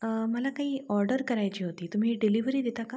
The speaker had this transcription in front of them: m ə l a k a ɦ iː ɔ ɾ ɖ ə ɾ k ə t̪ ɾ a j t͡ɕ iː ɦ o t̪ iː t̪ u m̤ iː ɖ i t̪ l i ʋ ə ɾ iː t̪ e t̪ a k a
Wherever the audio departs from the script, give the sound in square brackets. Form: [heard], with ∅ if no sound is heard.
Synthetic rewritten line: m ə l a k a ɦ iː ɔ ɾ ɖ ə ɾ k ə [∅] ɾ a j t͡ɕ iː ɦ o t̪ iː t̪ u m̤ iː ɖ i [∅] l i ʋ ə ɾ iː [d̪] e t̪ a k a